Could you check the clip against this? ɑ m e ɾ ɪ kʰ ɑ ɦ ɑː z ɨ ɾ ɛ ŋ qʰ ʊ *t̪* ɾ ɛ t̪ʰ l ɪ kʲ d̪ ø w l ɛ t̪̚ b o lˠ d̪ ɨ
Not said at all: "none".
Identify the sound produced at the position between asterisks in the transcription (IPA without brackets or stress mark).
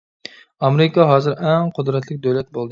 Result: d̪